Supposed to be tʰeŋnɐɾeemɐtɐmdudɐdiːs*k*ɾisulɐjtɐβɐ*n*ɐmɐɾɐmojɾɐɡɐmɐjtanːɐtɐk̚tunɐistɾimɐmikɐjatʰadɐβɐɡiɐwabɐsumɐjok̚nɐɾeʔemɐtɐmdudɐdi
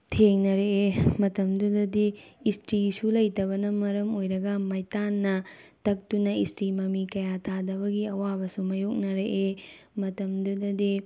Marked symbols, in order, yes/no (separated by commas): no, yes